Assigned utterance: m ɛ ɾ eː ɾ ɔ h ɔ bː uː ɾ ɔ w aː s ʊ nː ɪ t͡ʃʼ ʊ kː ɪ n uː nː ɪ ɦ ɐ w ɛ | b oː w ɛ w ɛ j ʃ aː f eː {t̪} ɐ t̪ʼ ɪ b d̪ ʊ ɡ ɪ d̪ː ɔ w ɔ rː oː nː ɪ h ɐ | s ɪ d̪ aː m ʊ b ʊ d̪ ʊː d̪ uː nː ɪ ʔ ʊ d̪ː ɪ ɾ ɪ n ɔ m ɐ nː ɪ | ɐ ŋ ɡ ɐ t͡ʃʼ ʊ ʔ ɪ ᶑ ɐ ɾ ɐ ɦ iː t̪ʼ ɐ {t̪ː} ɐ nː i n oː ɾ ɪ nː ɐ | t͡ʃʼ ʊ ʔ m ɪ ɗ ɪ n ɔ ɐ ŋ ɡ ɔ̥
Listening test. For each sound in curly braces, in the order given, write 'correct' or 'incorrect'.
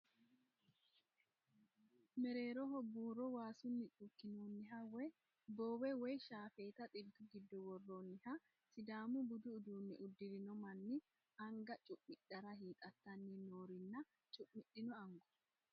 correct, correct

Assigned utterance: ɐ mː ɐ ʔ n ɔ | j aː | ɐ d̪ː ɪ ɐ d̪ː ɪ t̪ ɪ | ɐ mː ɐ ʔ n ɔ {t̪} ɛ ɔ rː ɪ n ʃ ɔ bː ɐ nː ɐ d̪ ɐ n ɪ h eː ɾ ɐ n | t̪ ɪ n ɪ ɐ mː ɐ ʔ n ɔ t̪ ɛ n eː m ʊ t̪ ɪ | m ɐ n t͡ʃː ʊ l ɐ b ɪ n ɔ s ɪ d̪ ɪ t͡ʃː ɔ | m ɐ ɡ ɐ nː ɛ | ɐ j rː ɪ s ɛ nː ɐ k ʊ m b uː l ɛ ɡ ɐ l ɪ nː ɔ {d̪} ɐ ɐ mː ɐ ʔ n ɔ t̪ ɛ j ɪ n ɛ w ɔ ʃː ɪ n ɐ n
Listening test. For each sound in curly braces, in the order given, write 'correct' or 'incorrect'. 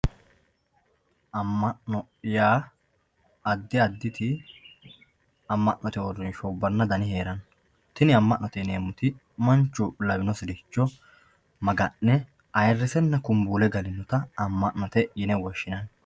correct, incorrect: t̪

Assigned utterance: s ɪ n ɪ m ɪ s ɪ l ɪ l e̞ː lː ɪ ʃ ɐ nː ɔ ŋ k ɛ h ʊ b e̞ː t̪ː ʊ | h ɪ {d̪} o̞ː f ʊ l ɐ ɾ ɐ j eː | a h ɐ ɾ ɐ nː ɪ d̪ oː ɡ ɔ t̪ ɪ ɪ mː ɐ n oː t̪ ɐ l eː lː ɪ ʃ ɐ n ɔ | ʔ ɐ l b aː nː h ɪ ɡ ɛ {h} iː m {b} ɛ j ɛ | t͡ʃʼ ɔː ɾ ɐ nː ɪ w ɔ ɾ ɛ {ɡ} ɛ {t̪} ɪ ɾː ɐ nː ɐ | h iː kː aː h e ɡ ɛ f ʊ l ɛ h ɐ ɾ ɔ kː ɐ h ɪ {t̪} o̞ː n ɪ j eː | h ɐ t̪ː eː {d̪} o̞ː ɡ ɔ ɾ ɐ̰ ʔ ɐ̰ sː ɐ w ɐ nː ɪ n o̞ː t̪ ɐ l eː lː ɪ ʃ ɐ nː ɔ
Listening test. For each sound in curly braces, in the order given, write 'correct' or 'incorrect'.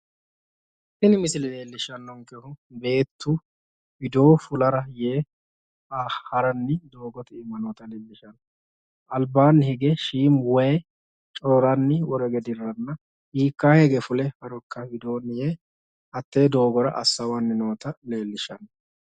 correct, incorrect: ʃ, incorrect: w, correct, incorrect: d̪, incorrect: d̪, correct

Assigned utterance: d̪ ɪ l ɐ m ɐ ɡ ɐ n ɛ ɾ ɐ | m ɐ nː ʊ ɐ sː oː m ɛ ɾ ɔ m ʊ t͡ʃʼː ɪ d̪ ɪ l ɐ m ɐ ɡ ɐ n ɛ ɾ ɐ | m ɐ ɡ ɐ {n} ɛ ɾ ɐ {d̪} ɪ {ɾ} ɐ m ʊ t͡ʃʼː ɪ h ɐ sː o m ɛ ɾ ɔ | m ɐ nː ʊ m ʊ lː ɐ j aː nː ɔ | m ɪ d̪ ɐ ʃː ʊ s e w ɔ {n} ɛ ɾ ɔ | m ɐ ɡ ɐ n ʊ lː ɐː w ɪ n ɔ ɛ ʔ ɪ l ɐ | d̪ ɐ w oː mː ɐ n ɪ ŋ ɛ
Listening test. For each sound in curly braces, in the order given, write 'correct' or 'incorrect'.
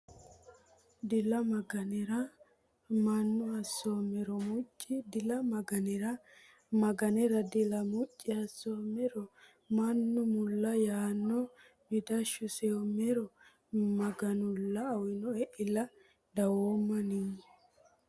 correct, correct, incorrect: l, incorrect: m

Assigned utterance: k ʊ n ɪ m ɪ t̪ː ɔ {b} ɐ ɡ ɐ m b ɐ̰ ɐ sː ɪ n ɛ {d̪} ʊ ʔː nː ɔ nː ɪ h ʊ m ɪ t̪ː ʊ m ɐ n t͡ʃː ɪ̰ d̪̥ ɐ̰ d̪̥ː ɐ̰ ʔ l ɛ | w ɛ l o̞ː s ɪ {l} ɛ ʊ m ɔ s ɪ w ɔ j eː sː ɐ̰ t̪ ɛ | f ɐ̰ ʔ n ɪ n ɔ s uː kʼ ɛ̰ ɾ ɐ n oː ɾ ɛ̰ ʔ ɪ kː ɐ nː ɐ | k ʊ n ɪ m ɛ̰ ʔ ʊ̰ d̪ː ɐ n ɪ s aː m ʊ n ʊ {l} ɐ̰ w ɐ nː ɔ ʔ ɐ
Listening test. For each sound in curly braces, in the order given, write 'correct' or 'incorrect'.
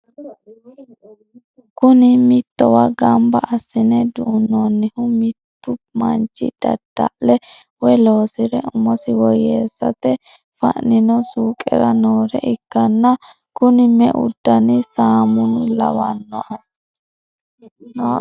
incorrect: w, correct, incorrect: ɾ, correct

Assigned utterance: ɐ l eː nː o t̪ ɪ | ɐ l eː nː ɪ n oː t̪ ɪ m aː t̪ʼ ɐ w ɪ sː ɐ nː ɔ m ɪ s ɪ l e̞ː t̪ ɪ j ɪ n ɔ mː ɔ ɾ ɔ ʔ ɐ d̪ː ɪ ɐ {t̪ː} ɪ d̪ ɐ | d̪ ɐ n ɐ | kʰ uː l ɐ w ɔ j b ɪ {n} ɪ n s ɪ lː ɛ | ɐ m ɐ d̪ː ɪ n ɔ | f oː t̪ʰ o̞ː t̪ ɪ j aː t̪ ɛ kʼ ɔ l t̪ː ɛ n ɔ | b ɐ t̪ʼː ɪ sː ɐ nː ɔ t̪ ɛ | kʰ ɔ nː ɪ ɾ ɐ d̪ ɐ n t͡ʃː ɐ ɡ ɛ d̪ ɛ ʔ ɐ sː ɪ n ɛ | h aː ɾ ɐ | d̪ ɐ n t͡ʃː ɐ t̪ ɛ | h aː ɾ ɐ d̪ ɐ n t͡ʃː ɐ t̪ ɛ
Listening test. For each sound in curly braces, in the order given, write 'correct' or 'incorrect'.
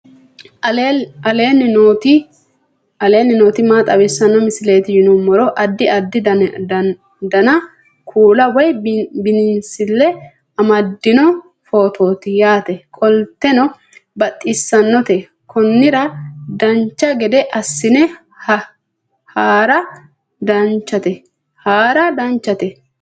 incorrect: d̪ː, correct

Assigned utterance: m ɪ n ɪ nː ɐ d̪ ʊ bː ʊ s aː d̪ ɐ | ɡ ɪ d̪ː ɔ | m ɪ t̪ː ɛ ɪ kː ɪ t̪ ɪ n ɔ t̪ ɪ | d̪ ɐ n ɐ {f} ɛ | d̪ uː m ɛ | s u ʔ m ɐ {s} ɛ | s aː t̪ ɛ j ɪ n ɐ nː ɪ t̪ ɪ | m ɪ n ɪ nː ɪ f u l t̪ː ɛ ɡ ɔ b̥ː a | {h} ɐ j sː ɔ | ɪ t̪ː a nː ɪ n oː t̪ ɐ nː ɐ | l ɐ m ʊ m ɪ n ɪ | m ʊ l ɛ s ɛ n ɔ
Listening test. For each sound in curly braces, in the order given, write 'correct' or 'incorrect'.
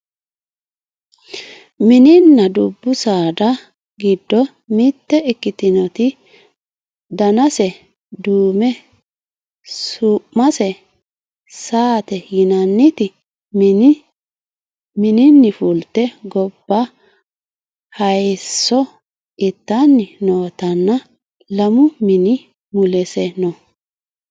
incorrect: s, correct, correct

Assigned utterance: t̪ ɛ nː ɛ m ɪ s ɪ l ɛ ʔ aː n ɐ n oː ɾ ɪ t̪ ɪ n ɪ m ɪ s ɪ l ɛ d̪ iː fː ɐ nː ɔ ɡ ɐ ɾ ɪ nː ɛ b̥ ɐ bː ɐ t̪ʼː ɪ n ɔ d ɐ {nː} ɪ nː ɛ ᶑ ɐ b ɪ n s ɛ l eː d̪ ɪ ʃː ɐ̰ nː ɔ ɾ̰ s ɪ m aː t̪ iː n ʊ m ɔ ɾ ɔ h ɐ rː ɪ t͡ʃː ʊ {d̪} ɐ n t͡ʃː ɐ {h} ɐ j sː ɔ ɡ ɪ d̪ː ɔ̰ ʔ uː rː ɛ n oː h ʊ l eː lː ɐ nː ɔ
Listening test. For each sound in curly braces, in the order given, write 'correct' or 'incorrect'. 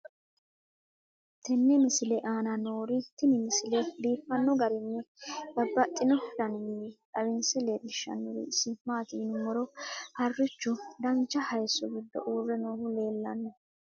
incorrect: n, correct, correct

